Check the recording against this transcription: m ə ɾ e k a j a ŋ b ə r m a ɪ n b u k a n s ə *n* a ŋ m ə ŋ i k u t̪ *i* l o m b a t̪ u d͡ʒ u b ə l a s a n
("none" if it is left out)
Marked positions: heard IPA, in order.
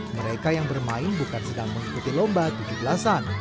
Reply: d, i

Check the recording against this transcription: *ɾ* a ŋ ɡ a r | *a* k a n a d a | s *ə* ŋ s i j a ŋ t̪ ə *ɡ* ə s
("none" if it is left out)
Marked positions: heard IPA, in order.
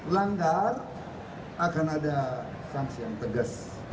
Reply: l, a, a, ɡ

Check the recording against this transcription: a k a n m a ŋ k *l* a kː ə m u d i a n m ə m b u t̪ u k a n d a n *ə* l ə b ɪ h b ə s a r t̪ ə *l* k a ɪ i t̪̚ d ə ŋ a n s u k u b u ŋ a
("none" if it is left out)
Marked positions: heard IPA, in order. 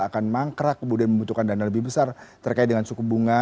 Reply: ɾ, a, r

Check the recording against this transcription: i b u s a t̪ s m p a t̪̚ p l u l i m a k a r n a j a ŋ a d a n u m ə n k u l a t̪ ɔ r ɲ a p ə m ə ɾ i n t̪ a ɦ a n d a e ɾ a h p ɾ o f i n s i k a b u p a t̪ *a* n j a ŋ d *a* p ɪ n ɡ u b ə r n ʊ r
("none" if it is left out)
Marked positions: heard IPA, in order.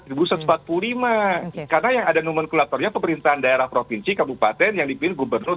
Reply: ɛ, i

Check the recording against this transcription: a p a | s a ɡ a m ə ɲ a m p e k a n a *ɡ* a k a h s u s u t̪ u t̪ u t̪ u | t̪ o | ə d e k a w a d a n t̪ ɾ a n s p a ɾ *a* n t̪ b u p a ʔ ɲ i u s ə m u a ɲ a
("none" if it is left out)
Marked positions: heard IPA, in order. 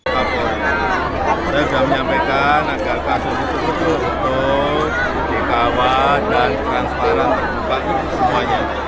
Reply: ɡ, a

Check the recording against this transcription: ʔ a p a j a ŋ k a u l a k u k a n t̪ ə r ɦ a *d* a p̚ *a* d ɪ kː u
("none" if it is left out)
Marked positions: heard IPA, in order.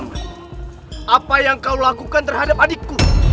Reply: d, a

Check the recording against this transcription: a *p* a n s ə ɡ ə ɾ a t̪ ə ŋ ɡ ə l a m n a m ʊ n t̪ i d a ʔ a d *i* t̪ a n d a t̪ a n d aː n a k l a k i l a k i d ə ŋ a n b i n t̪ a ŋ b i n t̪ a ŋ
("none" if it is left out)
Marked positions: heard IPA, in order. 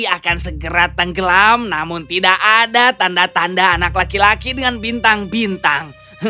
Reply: k, a

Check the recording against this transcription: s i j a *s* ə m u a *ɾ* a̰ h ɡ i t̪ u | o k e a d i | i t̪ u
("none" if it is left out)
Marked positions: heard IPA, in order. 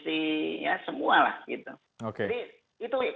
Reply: s, l

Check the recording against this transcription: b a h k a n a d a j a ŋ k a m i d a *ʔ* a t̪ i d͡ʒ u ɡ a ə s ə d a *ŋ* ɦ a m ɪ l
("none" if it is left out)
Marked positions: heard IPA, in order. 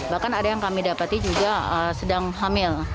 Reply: p, ŋ

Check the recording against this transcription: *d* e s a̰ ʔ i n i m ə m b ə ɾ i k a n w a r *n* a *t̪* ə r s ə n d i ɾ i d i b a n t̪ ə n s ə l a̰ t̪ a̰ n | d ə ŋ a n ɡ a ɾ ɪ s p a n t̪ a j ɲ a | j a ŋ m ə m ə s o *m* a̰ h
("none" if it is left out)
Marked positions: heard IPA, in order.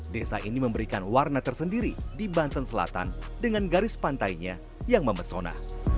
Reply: d, n, t̪, n

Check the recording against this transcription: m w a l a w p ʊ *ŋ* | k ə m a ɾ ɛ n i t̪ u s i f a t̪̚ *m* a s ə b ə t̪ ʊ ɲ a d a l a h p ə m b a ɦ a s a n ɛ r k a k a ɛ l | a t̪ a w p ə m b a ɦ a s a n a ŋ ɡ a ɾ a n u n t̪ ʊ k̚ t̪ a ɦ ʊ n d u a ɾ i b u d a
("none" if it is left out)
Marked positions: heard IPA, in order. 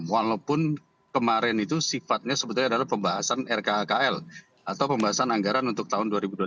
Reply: n, ɲ

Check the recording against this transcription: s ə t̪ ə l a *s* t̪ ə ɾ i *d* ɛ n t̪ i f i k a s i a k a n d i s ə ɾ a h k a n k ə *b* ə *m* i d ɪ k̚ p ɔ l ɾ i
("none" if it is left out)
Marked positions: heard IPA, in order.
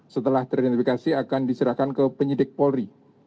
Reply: h, d, p, ɲ

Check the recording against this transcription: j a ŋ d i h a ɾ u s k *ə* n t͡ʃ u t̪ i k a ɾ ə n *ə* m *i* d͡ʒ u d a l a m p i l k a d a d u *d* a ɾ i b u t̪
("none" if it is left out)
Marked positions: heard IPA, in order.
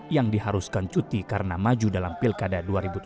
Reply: a, a, a, none

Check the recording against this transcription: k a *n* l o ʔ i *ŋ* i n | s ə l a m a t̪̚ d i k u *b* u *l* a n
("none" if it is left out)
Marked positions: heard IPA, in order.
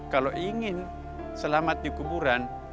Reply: none, ŋ, b, ɾ

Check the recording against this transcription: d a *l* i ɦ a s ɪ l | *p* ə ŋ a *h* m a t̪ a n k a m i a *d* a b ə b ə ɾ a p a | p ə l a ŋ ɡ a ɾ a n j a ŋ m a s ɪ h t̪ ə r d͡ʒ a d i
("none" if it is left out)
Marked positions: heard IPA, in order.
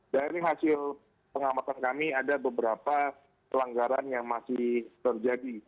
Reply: ɾ, p, none, d

